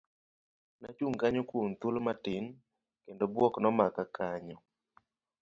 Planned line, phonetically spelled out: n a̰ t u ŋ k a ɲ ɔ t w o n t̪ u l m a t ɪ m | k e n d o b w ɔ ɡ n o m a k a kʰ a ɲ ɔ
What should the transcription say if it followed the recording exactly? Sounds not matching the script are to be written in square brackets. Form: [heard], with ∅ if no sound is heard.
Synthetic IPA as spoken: n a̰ [t͡ʃ] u ŋ k a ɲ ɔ [k] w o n t̪ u l m a t ɪ [n] | k e n d o b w ɔ [k] n [ɔ] m a k a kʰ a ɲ ɔ